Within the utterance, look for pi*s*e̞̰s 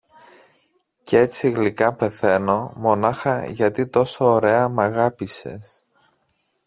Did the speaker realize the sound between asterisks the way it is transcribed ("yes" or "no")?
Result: yes